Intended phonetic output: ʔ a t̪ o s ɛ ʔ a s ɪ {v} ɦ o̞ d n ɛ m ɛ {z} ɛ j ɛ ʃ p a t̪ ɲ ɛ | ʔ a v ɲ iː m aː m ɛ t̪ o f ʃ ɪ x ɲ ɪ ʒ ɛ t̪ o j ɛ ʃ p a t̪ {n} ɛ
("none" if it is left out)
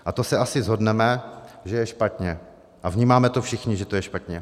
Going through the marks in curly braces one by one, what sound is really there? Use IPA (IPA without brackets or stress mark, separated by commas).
z, ʒ, ɲ